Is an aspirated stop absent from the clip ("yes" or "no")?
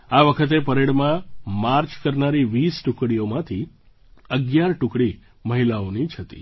no